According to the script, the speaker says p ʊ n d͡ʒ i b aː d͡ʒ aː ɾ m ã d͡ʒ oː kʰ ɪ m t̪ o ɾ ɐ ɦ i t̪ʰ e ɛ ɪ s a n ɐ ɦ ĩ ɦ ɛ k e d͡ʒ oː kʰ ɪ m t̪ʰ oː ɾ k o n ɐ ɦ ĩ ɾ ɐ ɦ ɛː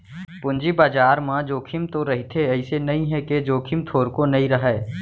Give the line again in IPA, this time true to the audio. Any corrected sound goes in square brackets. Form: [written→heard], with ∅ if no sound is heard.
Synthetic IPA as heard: p ʊ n d͡ʒ i b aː d͡ʒ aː ɾ m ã d͡ʒ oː kʰ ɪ m t̪ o ɾ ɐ ɦ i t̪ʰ e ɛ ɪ s [a→e] n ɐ ɦ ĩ ɦ ɛ k e d͡ʒ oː kʰ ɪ m t̪ʰ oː ɾ k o n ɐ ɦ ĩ ɾ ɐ ɦ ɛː

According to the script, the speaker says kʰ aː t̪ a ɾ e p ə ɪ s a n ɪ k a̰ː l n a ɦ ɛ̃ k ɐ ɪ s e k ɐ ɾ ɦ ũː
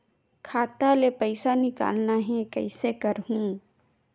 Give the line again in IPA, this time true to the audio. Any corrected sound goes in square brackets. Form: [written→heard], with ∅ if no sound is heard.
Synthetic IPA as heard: kʰ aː t̪ a [ɾ→l] e p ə ɪ s a n ɪ k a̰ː l n a ɦ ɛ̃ k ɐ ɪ s e k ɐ ɾ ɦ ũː

